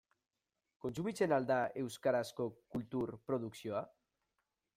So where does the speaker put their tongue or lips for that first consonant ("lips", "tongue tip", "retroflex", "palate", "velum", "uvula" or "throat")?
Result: velum